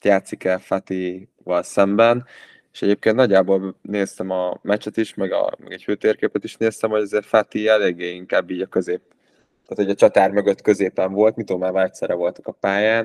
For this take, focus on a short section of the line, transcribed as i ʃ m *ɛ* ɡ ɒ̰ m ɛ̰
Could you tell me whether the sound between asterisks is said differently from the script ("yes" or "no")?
no